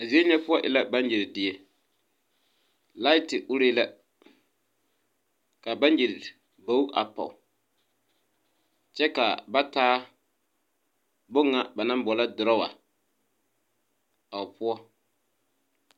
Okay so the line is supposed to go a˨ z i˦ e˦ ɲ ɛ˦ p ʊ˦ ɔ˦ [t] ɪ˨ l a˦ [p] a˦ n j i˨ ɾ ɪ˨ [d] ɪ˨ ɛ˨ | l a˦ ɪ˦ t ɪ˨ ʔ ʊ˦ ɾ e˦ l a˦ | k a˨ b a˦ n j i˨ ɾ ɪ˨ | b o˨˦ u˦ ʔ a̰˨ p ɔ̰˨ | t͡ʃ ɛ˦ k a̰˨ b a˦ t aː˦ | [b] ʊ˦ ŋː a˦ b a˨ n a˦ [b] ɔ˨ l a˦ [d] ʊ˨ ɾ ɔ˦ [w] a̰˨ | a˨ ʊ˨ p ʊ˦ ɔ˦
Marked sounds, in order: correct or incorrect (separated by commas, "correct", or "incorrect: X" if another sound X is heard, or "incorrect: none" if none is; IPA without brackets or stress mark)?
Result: incorrect: ʔ, incorrect: b, correct, correct, correct, correct, correct